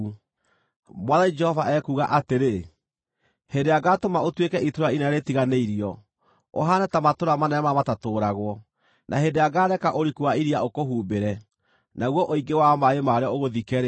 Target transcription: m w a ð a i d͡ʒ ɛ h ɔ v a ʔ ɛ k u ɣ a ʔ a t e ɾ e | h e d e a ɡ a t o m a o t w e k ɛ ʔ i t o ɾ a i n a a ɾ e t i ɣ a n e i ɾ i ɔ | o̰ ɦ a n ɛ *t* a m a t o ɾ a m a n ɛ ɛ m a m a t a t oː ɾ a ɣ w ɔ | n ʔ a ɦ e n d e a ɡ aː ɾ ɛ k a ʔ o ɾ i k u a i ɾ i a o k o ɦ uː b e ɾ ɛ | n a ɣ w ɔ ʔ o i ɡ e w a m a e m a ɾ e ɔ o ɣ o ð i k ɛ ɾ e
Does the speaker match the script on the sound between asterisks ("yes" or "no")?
yes